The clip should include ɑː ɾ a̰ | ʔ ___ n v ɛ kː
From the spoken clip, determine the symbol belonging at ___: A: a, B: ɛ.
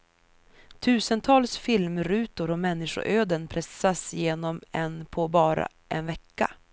B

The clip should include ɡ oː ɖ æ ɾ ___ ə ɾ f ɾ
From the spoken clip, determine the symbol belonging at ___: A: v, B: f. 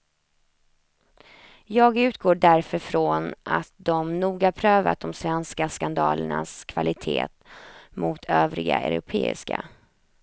B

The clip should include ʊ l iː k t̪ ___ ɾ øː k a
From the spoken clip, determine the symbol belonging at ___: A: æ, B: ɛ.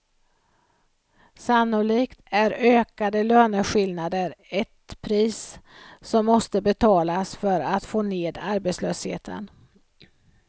A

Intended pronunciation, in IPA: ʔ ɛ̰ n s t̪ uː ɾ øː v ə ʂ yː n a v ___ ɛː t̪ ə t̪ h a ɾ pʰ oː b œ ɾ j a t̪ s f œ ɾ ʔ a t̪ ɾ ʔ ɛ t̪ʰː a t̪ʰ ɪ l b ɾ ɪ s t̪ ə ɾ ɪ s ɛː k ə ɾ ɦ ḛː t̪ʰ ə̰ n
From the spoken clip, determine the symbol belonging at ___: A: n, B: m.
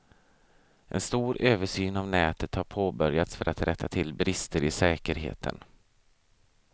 A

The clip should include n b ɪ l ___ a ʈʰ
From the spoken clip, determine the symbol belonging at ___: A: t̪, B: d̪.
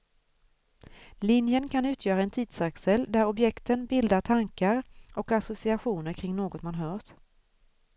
B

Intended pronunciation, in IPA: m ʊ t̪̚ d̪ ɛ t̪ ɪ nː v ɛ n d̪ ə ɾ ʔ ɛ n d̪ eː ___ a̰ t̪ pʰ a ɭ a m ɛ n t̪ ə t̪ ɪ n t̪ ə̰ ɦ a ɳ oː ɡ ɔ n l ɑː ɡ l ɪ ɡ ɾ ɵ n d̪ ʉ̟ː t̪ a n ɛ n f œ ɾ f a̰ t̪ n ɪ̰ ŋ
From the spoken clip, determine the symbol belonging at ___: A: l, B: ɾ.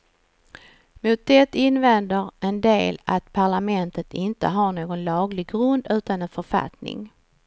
A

